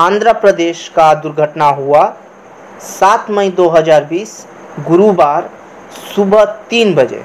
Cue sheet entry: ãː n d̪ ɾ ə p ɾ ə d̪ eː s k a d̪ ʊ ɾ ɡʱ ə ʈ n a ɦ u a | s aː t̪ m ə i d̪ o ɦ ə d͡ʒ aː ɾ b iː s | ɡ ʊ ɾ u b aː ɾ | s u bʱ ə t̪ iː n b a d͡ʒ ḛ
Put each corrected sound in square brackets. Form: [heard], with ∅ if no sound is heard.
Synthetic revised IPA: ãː n d̪ ɾ ə p ɾ ə d̪ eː [ʃ] k a d̪ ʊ ɾ ɡʱ ə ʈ n a ɦ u a | s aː t̪ m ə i d̪ o ɦ ə d͡ʒ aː ɾ b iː s | ɡ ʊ ɾ u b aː ɾ | s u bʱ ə t̪ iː n b [ə] d͡ʒ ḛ